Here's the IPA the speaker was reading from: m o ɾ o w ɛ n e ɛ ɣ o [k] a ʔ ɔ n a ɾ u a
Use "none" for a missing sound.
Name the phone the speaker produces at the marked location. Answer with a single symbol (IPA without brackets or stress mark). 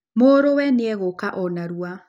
k